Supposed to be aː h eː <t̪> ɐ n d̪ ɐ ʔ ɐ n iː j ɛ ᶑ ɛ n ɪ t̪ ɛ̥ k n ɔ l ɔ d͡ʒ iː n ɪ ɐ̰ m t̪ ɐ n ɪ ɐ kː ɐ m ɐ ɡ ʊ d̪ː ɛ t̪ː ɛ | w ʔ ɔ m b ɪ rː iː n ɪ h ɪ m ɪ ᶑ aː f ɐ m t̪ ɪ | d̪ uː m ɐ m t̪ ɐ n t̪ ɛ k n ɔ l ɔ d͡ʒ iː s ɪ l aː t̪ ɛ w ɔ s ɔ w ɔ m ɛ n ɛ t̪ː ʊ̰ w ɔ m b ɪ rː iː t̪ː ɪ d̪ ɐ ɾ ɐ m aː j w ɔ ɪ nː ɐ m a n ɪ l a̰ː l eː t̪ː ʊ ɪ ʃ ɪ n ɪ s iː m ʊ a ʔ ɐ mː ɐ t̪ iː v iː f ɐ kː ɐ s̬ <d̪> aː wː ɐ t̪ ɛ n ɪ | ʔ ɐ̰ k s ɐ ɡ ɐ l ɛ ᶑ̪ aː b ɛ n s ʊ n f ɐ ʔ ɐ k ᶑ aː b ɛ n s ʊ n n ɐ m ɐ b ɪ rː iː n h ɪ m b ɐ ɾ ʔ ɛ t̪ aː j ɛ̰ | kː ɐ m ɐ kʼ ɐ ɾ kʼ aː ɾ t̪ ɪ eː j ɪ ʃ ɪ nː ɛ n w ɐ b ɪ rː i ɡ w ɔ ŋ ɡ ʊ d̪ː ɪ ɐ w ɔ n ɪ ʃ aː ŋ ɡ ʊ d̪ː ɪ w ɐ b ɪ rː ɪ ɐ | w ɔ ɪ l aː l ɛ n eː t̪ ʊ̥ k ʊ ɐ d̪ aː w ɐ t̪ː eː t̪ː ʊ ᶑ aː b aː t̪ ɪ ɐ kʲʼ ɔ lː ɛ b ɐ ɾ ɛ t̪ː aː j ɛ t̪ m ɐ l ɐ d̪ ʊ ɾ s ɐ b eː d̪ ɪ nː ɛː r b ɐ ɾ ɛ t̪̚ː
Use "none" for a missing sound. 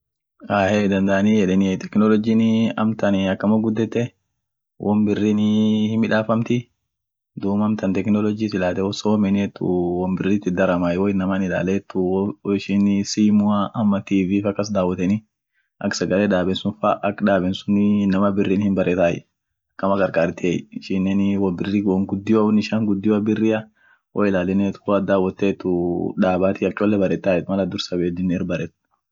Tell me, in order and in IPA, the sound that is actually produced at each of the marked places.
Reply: d̪, d̪

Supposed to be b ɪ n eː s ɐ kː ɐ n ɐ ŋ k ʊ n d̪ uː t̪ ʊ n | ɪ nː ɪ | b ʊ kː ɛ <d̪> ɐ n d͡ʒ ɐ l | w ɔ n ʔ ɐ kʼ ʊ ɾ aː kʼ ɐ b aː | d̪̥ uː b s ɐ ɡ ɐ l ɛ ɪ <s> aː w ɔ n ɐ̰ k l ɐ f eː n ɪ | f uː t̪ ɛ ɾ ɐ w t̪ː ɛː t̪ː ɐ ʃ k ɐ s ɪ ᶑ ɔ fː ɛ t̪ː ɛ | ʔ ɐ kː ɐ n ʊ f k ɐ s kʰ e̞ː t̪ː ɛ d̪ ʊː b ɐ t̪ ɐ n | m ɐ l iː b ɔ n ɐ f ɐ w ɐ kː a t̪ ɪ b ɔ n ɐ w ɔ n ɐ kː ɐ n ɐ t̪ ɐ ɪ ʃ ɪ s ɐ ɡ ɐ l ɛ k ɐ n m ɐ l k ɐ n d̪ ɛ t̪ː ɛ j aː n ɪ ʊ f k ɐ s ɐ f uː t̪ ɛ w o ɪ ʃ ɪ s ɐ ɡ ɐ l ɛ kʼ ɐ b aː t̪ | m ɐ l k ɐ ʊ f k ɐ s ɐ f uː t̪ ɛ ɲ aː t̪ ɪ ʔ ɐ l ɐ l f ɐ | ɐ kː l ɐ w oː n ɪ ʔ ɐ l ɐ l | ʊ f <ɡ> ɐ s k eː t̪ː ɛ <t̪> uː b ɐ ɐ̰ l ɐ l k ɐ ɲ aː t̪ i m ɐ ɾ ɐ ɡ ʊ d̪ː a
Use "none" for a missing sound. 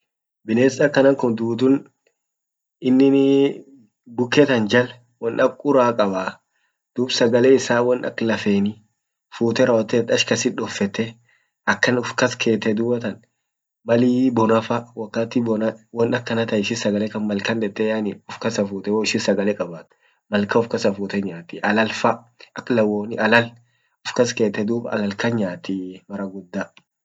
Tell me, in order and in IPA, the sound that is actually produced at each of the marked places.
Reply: t̪, s, k, d̪

